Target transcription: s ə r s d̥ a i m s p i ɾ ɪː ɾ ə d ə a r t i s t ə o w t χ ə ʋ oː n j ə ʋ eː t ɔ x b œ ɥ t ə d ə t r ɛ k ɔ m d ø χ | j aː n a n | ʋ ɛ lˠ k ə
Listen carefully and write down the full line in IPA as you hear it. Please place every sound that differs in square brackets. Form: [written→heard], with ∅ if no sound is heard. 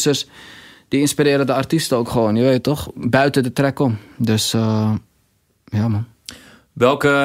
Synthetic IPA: s ə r s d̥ [a→i] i [m→n] s p i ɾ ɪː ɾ ə d ə a r t i s t ə o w [t→k] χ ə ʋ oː n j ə ʋ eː t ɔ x b œ ɥ t ə d ə t r ɛ k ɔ m d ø [χ→s] | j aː [n→m] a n | ʋ ɛ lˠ k ə